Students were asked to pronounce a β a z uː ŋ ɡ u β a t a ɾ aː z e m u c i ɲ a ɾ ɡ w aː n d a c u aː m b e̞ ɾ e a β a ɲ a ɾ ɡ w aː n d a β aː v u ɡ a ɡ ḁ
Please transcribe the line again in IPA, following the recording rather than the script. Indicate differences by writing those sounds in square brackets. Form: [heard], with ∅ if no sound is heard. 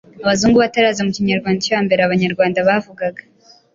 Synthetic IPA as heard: a β a z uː ŋ ɡ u β a t a ɾ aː z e m u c i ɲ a ɾ ɡ w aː n d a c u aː m b e̞ ɾ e a β a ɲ a ɾ ɡ w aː n d a β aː v u ɡ a ɡ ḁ